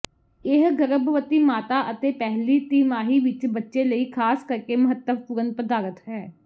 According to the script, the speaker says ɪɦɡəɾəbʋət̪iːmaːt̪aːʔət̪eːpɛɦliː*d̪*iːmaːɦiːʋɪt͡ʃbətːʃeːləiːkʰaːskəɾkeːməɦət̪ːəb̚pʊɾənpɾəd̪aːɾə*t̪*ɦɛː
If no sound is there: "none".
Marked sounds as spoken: t̪, t̪

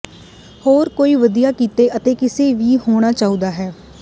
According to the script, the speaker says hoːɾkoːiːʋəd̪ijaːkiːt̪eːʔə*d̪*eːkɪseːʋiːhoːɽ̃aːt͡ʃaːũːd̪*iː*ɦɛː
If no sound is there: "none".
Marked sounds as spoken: t̪, aː

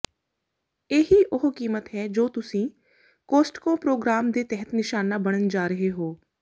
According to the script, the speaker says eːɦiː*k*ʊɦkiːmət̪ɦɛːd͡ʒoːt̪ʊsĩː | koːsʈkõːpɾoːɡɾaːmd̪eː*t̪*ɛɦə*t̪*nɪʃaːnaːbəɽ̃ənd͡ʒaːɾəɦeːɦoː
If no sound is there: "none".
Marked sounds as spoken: ʔ, t̪, t̪

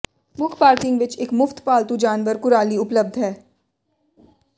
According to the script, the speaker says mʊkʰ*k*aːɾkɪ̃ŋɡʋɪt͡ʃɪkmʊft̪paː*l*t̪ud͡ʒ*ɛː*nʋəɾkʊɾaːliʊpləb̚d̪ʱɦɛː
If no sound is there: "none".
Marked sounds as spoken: p, l, aː

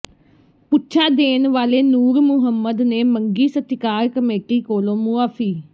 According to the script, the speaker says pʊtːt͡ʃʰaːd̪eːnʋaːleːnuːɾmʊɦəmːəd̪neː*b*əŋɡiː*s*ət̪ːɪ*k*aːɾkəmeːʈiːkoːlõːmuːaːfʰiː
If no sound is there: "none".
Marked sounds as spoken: m, s, k

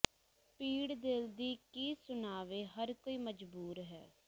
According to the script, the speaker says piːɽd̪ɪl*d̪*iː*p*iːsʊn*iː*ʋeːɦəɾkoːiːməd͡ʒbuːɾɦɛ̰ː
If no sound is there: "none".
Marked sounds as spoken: d̪, k, aː

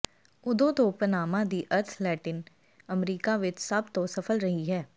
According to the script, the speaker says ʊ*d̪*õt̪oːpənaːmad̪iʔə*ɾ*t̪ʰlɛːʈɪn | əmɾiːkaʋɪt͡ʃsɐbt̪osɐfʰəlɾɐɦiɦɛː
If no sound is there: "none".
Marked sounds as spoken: d̪, ɾ

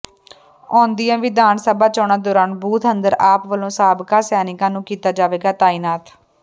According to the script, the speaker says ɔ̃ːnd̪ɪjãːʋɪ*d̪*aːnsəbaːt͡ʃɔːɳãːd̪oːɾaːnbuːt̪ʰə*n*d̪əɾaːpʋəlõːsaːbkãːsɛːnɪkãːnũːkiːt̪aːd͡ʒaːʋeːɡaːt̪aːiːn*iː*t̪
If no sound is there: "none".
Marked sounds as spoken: d̪, n, aː

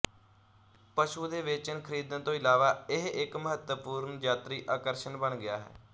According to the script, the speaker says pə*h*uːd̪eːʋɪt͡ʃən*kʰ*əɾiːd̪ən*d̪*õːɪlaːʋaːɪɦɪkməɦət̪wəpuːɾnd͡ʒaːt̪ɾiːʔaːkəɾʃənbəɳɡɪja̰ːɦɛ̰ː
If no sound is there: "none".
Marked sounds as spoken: ʃ, kʰ, t̪

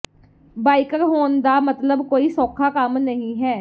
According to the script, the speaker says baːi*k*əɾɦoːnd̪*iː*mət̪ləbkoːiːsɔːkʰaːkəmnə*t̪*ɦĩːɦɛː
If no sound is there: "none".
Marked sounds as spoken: k, aː, none

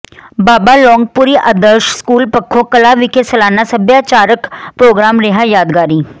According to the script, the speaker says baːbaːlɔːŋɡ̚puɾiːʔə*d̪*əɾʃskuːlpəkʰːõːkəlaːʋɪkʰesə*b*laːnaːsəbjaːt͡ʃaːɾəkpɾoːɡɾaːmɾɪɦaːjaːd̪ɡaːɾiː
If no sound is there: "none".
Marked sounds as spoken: d̪, none

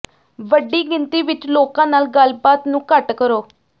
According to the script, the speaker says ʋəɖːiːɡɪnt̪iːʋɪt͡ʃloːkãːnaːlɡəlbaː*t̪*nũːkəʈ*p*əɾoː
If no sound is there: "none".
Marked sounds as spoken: t̪, k

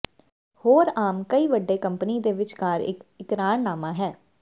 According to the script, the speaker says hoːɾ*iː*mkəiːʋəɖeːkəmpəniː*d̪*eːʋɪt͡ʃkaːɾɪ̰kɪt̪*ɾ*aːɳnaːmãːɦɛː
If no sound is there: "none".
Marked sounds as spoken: aː, d̪, ɾ

